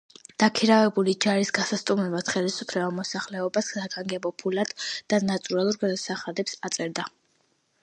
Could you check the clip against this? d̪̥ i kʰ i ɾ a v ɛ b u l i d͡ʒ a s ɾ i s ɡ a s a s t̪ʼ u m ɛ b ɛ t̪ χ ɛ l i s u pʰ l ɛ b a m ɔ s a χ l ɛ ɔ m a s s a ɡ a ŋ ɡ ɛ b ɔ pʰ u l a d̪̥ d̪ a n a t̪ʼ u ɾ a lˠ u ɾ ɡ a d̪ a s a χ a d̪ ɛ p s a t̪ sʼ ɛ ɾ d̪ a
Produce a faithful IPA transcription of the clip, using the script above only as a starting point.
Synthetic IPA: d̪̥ a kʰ i ɾ a v ɛ b u l i d͡ʒ a ɾ i s ɡ a s a s t̪ʼ u m ɛ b a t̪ χ ɛ l i s u pʰ l ɛ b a m ɔ s a χ l ɛ ɔ b a s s a ɡ a ŋ ɡ ɛ b ɔ pʰ u l a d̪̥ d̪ a n a t̪ʼ u ɾ a lˠ u ɾ ɡ a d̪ a s a χ a d̪ ɛ p s a t̪ sʼ ɛ ɾ d̪ a